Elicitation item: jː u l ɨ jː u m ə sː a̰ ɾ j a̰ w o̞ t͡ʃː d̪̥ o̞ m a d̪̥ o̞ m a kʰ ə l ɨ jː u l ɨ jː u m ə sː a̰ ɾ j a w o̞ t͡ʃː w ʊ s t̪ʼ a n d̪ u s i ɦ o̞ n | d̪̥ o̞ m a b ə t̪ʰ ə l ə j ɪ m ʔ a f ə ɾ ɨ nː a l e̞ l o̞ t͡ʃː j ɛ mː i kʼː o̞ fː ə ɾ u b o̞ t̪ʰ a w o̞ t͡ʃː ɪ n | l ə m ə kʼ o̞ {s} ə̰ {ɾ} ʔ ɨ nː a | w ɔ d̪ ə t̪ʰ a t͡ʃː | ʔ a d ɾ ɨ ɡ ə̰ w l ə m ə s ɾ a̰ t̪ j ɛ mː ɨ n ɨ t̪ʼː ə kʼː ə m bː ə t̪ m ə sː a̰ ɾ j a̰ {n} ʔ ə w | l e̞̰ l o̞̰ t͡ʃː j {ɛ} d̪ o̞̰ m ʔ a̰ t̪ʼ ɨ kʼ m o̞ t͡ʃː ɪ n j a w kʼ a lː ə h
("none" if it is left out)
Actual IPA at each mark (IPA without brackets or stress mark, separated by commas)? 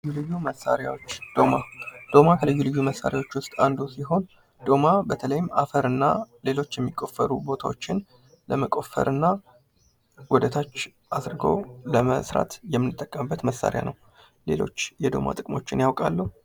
f, ɾ, n, ɛ